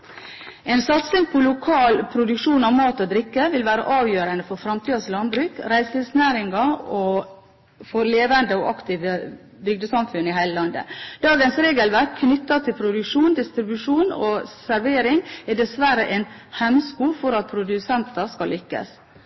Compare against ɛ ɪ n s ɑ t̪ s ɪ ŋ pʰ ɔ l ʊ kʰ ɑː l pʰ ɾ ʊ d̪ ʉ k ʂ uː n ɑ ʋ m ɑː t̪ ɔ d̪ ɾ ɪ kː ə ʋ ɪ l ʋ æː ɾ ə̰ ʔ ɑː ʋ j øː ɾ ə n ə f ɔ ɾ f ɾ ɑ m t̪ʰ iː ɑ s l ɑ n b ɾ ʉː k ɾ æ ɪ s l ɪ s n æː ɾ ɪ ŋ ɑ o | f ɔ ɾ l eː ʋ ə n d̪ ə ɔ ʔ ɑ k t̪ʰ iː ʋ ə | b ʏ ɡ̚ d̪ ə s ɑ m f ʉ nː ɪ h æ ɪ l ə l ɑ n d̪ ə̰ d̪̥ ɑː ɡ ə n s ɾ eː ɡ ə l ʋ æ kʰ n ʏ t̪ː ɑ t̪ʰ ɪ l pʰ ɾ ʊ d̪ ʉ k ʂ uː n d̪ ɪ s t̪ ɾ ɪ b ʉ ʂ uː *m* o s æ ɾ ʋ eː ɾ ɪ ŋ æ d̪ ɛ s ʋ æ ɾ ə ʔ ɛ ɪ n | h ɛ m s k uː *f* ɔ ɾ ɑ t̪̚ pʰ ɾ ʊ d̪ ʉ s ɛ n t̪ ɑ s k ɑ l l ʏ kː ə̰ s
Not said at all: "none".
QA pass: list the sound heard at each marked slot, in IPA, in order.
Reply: n, f

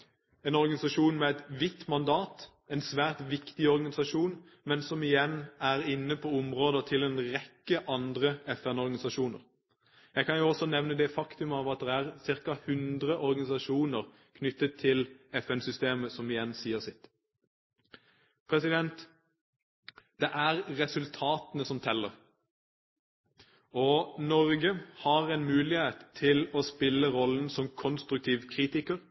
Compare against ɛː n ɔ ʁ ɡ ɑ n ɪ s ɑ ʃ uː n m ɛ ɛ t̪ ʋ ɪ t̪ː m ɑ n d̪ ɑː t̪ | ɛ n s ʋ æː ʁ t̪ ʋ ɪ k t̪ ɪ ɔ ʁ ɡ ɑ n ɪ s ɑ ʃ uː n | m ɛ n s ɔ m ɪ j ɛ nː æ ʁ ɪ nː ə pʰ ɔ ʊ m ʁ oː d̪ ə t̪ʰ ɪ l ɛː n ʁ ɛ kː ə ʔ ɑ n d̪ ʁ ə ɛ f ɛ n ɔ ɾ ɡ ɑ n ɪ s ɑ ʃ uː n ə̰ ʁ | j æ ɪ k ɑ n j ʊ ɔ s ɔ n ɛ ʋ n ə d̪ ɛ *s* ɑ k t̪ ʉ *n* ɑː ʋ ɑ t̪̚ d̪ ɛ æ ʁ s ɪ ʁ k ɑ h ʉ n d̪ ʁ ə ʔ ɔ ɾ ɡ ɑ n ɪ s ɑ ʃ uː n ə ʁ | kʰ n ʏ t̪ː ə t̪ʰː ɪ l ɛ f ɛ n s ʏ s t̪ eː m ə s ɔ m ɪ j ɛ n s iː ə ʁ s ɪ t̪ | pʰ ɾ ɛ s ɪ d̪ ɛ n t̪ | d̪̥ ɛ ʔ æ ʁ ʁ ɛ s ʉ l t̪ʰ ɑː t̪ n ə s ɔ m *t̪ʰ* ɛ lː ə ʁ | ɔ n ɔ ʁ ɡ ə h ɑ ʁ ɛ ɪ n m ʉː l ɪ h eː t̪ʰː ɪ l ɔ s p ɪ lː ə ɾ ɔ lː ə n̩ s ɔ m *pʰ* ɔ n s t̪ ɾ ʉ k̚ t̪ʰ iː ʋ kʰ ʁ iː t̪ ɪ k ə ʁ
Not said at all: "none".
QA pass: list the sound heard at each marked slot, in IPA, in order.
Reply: f, m, t̪ʰ, kʰ

